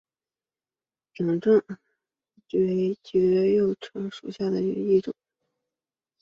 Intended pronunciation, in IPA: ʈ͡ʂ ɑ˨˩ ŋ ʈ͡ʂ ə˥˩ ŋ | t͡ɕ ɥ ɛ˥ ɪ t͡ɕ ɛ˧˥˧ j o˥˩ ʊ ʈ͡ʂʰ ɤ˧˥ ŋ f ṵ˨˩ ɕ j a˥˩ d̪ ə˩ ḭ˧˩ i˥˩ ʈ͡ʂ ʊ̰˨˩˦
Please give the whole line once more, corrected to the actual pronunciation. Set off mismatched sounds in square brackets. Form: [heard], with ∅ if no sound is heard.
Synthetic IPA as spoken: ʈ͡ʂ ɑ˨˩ ŋ ʈ͡ʂ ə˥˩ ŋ | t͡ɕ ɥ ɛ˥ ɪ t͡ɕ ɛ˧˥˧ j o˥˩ ʊ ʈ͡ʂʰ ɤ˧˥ ŋ [ʂ] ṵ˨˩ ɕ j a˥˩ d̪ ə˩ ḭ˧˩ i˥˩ ʈ͡ʂ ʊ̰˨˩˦